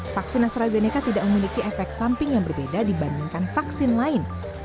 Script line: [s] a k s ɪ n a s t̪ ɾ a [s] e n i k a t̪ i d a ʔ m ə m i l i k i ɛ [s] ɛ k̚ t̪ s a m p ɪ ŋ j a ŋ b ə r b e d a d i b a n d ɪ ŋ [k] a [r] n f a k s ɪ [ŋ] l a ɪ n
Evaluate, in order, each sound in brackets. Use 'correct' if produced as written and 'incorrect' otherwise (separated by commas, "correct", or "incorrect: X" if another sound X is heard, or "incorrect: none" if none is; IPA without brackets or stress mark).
incorrect: f, incorrect: z, incorrect: f, correct, incorrect: none, incorrect: n